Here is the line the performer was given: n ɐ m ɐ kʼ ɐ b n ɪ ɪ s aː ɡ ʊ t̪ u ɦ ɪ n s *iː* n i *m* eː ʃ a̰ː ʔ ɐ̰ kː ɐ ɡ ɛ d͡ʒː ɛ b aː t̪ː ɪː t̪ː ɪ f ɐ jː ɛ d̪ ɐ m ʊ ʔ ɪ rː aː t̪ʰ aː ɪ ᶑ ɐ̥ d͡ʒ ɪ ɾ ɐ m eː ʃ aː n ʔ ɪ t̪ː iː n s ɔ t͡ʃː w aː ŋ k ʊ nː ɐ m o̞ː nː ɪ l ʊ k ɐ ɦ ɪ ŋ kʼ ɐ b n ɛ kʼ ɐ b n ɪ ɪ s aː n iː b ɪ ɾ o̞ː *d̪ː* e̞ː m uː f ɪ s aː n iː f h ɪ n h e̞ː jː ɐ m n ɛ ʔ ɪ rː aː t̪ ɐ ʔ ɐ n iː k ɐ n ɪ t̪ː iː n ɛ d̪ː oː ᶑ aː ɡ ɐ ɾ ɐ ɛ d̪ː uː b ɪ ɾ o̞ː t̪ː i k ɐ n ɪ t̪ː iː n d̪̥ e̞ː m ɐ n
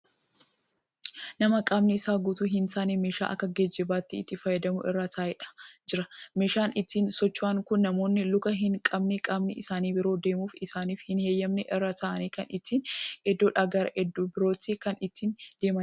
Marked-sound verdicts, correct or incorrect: incorrect: aː, correct, incorrect: d̪

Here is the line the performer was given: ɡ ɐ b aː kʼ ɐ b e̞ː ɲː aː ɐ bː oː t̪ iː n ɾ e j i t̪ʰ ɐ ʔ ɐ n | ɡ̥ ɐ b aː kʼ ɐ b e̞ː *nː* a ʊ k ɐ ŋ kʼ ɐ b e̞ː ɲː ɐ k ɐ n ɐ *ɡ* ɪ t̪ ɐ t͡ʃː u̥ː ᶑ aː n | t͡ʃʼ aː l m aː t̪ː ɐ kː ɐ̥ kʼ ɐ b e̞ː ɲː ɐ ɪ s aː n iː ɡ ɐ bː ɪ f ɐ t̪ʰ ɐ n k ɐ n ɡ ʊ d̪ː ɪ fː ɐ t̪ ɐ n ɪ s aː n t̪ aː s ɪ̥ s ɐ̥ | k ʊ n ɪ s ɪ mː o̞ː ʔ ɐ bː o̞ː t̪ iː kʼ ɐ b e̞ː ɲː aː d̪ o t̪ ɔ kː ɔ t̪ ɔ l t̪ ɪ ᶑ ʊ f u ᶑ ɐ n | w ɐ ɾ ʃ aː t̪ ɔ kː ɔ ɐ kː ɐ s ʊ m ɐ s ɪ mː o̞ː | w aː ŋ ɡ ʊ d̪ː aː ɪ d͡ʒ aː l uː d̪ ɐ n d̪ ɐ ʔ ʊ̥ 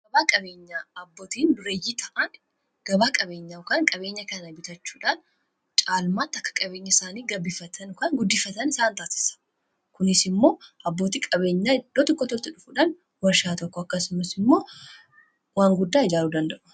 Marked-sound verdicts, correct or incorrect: incorrect: ɲː, incorrect: b

